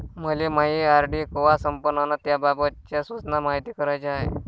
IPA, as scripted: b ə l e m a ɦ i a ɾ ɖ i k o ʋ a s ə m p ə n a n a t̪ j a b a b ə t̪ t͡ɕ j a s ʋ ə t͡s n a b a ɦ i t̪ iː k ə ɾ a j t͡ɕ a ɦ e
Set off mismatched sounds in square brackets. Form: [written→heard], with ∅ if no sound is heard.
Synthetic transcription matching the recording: [b→m] ə l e m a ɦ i a ɾ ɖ i k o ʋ a s ə m p ə n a n a t̪ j a b a b ə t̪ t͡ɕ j a s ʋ ə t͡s n a [b→m] a ɦ i t̪ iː k ə ɾ a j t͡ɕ a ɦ e

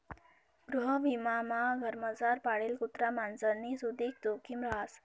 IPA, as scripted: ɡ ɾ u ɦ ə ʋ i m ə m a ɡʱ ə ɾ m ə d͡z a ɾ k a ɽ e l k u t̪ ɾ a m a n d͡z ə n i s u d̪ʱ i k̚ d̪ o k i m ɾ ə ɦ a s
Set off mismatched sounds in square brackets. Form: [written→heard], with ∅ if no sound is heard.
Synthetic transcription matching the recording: ɡ ɾ u ɦ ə ʋ i m [ə→a] m a ɡʱ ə ɾ m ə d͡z a ɾ [k→p] a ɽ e l k u t̪ ɾ a m a n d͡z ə n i s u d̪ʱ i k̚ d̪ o k i m ɾ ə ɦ a s

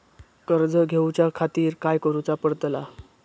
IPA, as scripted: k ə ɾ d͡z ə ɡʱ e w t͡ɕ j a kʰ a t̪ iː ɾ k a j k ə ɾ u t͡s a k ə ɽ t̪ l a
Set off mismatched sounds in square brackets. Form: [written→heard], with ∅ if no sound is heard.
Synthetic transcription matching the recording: k ə ɾ d͡z ə ɡʱ e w t͡ɕ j a kʰ a t̪ iː ɾ k a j k ə ɾ u t͡s a [k→p] ə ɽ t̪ l a

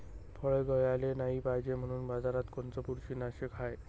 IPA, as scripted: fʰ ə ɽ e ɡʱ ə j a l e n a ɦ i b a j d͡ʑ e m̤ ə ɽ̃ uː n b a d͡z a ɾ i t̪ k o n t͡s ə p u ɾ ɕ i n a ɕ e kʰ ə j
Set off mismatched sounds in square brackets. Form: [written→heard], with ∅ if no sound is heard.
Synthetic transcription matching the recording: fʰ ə [ɽ→ɭ] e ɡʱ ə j a l e n a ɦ i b a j d͡ʑ e m̤ ə ɽ̃ uː n b a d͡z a ɾ [i→a] t̪ k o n t͡s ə p u ɾ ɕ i n a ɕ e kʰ [ə→a] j

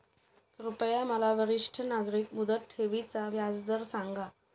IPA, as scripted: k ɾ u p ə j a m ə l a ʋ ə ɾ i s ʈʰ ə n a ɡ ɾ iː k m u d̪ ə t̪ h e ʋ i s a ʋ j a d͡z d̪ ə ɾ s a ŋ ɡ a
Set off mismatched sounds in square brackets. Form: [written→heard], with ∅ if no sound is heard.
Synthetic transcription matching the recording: k ɾ u p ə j a m ə l a ʋ ə ɾ i [s→ʂ] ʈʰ ə n a ɡ ɾ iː k m u d̪ ə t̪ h e ʋ i [s→t͡s] a ʋ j a d͡z d̪ ə ɾ s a ŋ ɡ a

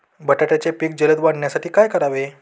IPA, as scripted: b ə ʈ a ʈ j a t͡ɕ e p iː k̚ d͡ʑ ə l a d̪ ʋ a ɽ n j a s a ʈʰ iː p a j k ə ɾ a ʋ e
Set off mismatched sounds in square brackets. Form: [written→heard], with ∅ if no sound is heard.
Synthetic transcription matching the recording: b ə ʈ a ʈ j a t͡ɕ e p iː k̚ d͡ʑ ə l [a→ə] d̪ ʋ a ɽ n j a s a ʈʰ iː [p→k] a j k ə ɾ a ʋ e

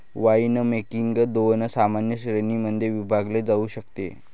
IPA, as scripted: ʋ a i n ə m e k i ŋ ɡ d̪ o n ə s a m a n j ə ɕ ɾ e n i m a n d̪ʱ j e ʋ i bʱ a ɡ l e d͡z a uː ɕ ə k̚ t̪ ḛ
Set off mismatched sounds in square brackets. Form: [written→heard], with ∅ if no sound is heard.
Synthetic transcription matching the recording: ʋ a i n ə m e k i ŋ ɡ d̪ o n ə s a m a n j ə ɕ ɾ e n i m [a→ə] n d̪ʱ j e ʋ i bʱ a ɡ l e d͡z a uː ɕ ə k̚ t̪ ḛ

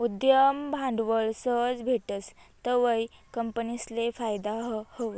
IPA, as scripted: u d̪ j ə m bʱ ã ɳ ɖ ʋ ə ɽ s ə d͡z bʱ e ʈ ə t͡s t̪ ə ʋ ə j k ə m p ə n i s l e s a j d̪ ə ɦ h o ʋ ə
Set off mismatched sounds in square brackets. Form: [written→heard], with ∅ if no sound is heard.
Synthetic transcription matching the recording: u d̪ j ə m bʱ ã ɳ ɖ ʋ ə [ɽ→ɭ] s ə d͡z bʱ e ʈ ə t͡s t̪ ə ʋ ə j k ə m p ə n i s l e [s→f] a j d̪ [ə→a] ɦ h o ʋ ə

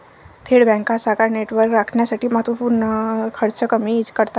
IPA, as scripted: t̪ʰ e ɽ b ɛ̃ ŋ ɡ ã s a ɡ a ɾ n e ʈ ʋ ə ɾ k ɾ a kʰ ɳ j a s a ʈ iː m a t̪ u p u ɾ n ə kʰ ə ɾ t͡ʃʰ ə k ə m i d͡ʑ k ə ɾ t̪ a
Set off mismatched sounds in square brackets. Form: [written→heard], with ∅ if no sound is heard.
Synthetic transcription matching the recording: t̪ʰ e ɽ b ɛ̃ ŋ [ɡ→k] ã s a [ɡ→k] a ɾ n e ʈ ʋ ə ɾ k ɾ a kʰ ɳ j a s a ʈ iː m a t̪ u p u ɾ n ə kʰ ə ɾ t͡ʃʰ ə k ə m i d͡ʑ k ə ɾ t̪ a

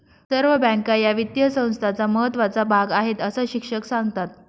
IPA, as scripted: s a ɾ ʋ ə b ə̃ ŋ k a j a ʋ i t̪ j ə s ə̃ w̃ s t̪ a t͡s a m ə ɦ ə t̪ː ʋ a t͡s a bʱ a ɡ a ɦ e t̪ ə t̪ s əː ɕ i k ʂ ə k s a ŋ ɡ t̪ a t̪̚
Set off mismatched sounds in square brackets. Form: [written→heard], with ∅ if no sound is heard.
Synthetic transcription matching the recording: s [a→ə] ɾ ʋ ə b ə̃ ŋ k a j a ʋ i t̪ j ə s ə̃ w̃ s [t̪→t̪ʰ] a t͡s a m ə ɦ ə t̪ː ʋ a t͡s a bʱ a ɡ a ɦ e t̪ ə [t̪→∅] s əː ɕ i k ʂ ə k s a ŋ ɡ t̪ a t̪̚

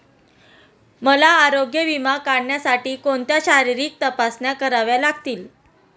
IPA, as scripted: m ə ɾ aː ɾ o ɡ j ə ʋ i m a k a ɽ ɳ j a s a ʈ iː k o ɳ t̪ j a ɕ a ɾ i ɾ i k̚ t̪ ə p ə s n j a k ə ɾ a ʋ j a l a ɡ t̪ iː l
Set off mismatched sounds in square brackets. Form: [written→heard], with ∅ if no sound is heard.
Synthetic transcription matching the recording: m ə [ɾ→l] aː ɾ o ɡ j ə ʋ i m a k a ɽ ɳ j a s a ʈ iː k o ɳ t̪ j a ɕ a ɾ i ɾ [i→iː] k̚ t̪ ə p [ə→a] s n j a k ə ɾ a ʋ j a l a ɡ t̪ iː l

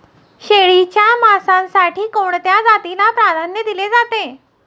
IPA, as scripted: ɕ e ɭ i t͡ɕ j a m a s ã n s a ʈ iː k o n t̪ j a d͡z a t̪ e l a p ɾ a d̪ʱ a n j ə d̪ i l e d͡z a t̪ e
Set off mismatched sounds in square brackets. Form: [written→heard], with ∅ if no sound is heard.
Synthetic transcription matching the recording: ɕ e ɭ i t͡ɕ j a m a s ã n s a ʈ iː k o [n→ɳ] t̪ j a d͡z a t̪ [e→i] l a p ɾ a d̪ʱ a n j ə d̪ i l e d͡z a t̪ e

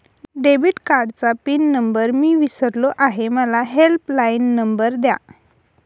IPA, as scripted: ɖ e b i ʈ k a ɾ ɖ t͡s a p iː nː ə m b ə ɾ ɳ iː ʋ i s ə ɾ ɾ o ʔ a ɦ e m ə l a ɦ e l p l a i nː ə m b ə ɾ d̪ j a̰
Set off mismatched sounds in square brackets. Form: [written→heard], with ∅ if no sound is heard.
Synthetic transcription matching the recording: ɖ e b i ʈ k a ɾ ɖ t͡s a p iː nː ə m b ə ɾ [ɳ→m] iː ʋ i s ə ɾ [ɾ→l] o ʔ a ɦ e m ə l a ɦ e l p l a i nː ə m b ə ɾ d̪ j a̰

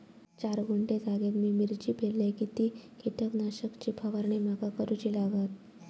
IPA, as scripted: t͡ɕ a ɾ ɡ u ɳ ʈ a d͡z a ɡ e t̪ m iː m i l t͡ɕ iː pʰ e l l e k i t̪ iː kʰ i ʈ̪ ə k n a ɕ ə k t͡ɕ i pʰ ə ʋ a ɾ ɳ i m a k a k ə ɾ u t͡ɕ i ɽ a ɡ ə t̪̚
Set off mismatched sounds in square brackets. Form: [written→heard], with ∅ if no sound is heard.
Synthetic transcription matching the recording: t͡ɕ a ɾ ɡ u ɳ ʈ [a→e] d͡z a ɡ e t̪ m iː m i [l→ɾ] t͡ɕ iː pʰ e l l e k i t̪ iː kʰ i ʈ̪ ə k n a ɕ ə k t͡ɕ i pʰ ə ʋ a ɾ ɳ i m a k a k ə ɾ u t͡ɕ i [ɽ→l] a ɡ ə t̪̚

